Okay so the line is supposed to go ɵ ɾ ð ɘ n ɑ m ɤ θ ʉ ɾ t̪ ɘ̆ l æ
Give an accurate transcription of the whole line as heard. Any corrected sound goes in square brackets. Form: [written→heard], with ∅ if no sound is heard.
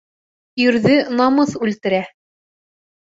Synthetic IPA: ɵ ɾ ð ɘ n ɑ m ɤ θ ʉ [ɾ→l] t̪ ɘ̆ [l→ɾ] æ

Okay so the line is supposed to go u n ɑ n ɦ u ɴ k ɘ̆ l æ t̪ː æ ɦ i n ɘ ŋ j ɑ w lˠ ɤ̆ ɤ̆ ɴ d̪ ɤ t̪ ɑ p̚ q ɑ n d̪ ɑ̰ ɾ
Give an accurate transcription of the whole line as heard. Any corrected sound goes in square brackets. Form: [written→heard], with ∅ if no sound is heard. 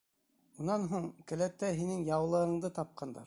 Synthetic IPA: u n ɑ n ɦ u ɴ k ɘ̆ l æ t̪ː æ ɦ i n ɘ ŋ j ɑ w lˠ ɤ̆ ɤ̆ ɴ d̪ ɤ t̪ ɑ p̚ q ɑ n d̪ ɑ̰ ɾ

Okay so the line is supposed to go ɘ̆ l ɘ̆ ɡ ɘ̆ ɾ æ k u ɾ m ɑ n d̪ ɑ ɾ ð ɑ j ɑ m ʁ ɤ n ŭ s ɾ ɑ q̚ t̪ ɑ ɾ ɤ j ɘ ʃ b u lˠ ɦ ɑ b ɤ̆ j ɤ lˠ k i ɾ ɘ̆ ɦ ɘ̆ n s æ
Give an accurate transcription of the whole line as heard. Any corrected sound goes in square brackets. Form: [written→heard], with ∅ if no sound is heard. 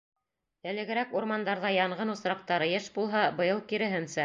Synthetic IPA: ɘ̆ l ɘ̆ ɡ ɘ̆ ɾ æ k u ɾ m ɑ n d̪ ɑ ɾ ð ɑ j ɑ [m→ɴ] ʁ ɤ n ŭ s ɾ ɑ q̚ t̪ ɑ ɾ ɤ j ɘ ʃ b u lˠ ɦ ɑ b ɤ̆ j ɤ lˠ k i ɾ ɘ̆ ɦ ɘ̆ n s æ

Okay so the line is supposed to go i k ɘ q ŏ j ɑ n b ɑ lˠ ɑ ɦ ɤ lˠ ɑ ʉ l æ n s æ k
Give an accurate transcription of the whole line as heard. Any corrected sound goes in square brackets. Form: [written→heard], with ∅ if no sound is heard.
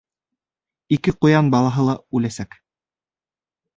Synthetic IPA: i k ɘ q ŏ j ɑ n b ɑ lˠ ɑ ɦ ɤ lˠ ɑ ʉ l æ [n→∅] s æ k

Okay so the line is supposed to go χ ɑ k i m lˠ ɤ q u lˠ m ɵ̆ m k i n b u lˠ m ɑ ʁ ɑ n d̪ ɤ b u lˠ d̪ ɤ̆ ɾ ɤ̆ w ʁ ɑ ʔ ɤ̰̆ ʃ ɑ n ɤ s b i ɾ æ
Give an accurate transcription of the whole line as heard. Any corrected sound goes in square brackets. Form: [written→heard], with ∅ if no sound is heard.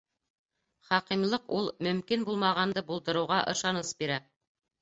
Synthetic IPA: χ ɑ [k→q] i m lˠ ɤ q u lˠ m ɵ̆ m k i n b u lˠ m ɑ ʁ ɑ n d̪ ɤ b u lˠ d̪ ɤ̆ ɾ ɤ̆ w ʁ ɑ ʔ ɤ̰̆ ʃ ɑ n ɤ s b i ɾ æ

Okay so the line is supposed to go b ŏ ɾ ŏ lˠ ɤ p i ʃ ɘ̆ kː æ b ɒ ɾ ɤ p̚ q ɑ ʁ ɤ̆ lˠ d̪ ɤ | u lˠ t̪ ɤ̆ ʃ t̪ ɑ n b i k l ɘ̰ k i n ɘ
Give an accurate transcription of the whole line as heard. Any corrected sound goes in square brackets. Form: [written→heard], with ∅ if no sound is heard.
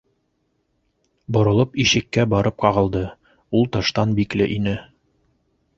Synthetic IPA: b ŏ ɾ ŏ lˠ ɤ p i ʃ ɘ̆ kː æ b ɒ ɾ ɤ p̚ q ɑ ʁ ɤ̆ lˠ d̪ ɤ | u lˠ t̪ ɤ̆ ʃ t̪ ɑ n b i k l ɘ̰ [k→ʔ] i n ɘ

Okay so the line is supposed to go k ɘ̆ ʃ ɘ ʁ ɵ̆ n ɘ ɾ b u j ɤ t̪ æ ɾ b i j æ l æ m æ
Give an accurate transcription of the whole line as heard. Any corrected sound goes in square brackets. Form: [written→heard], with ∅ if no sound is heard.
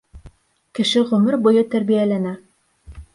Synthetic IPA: k ɘ̆ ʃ ɘ ʁ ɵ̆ [n→m] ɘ ɾ b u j ɤ t̪ æ ɾ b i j æ l æ [m→n] æ

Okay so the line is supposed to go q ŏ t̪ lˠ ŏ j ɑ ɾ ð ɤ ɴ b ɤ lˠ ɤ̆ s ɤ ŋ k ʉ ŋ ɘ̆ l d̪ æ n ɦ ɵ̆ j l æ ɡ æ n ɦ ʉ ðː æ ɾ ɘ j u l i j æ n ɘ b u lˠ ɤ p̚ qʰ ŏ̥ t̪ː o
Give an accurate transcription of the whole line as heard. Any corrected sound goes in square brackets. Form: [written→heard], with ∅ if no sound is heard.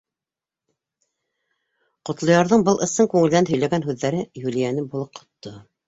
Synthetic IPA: q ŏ t̪ lˠ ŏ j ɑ ɾ ð ɤ ɴ b ɤ lˠ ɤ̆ s ɤ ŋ k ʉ ŋ ɘ̆ l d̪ æ n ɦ ɵ̆ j l æ ɡ æ n ɦ ʉ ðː æ ɾ ɘ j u l i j æ n ɘ b u lˠ ɤ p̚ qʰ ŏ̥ t̪ː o

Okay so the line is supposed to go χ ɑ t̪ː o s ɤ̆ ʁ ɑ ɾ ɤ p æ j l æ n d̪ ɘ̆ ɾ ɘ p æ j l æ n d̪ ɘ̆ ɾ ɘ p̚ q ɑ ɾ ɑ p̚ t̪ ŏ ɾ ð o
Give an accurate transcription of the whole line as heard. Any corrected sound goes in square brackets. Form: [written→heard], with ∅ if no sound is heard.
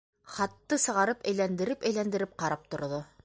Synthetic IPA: χ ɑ t̪ː [o→ɤ] s ɤ̆ ʁ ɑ ɾ ɤ p æ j l æ n d̪ ɘ̆ ɾ ɘ p æ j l æ n d̪ ɘ̆ ɾ ɘ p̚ q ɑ ɾ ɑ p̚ t̪ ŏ ɾ ð o

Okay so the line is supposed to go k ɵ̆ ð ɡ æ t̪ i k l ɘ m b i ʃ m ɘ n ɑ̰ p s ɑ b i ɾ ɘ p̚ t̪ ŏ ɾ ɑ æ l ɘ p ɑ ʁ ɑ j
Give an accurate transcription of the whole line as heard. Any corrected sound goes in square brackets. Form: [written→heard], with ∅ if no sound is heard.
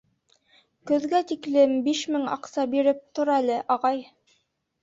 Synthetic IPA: k ɵ̆ ð ɡ æ t̪ i k l ɘ m b i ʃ m ɘ [n→ŋ] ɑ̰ [p→q] s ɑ b i ɾ ɘ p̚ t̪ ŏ ɾ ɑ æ l ɘ [p→ʔ] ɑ ʁ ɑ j

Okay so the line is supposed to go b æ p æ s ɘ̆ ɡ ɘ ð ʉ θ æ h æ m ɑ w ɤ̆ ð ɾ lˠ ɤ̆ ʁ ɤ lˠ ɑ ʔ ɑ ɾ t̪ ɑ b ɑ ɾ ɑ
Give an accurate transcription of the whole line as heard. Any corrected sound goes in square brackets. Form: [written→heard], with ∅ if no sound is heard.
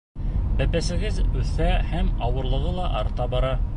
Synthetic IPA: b æ p æ s ɘ̆ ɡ ɘ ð ʉ θ æ h æ m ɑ w ɤ̆ [ð→∅] ɾ lˠ ɤ̆ ʁ ɤ lˠ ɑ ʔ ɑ ɾ t̪ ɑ b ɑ ɾ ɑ

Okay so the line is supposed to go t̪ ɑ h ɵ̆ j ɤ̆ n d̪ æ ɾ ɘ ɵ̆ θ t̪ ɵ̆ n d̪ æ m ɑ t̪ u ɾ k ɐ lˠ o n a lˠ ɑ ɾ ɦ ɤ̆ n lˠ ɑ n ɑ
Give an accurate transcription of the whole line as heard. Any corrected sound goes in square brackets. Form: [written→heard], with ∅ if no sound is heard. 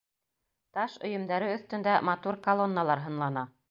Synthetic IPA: t̪ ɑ [h→ʃ] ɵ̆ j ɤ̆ [n→m] d̪ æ ɾ ɘ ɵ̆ θ t̪ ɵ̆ n d̪ æ m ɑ t̪ u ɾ k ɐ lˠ o [n→nː] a lˠ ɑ ɾ ɦ ɤ̆ n lˠ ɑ n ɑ

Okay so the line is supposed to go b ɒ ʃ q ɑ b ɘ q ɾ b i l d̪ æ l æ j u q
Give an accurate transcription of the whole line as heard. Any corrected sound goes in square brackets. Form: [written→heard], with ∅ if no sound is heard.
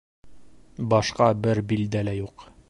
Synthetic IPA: b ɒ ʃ q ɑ b ɘ [q→∅] ɾ b i l d̪ æ l æ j u q

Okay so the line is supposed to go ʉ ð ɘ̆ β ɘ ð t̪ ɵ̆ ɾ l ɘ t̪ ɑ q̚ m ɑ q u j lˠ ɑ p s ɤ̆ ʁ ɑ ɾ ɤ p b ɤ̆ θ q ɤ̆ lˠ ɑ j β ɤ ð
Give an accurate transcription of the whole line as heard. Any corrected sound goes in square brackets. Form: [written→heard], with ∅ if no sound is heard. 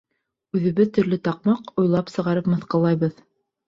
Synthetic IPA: ʉ ð ɘ̆ β ɘ ð t̪ ɵ̆ ɾ l ɘ t̪ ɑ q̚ m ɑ q u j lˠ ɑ p s ɤ̆ ʁ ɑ ɾ ɤ p [b→m] ɤ̆ θ q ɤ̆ lˠ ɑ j β ɤ ð

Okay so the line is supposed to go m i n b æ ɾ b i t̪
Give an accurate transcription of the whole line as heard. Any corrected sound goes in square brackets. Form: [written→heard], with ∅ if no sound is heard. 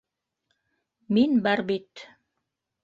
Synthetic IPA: m i n b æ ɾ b i t̪

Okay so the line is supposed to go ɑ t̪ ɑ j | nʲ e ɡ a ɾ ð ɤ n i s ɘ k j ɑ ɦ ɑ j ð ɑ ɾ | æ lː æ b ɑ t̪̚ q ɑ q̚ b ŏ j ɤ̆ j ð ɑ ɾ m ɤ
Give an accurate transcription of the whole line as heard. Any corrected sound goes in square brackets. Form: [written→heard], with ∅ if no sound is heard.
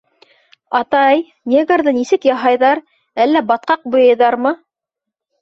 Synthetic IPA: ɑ t̪ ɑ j | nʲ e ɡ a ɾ ð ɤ n i s ɘ k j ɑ ɦ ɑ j ð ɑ ɾ | æ lː æ b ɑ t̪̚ q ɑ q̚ b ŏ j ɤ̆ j ð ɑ ɾ m ɤ

